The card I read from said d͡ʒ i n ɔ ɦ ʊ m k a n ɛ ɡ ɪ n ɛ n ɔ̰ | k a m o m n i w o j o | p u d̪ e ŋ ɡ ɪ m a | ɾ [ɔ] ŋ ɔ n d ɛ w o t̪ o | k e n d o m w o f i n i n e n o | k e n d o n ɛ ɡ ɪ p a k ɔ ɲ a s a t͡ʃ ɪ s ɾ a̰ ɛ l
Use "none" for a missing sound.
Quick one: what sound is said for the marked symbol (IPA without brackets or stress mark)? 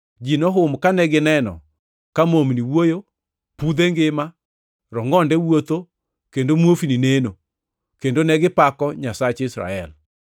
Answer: ɔ